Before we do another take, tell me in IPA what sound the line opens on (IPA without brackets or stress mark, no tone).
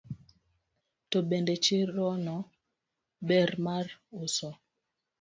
t